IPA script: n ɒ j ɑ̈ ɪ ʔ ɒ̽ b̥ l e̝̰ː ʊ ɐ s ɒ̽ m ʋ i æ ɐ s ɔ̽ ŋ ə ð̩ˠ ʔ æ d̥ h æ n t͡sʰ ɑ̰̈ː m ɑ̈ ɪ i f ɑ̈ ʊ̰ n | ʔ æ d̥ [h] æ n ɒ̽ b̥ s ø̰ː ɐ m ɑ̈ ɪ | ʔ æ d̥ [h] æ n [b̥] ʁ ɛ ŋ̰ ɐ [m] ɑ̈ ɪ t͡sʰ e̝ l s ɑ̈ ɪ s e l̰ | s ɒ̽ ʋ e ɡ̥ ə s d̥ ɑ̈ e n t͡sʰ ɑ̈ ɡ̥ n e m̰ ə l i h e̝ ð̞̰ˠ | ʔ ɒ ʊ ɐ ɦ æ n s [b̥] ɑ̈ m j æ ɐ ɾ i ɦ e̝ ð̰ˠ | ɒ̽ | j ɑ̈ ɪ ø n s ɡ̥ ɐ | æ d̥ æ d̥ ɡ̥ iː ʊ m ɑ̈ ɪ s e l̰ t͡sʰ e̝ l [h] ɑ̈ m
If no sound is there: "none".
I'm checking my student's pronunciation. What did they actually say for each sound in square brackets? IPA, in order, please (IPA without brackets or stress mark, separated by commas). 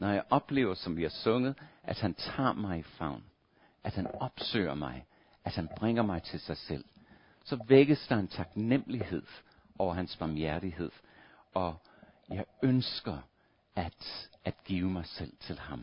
h, h, b̥, m, b̥, h